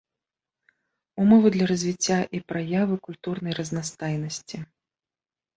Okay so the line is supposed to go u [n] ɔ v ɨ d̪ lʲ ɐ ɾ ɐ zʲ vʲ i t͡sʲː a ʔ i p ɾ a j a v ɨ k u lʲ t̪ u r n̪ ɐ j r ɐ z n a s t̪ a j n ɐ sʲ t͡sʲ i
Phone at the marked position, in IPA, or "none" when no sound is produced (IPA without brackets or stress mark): m